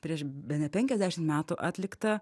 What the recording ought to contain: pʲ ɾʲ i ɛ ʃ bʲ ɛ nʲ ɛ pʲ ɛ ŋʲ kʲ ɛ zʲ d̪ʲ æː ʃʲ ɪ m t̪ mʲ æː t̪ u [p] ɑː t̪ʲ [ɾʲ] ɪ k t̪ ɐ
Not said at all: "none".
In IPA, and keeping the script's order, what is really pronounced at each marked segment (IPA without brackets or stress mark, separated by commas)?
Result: ʔ, lʲ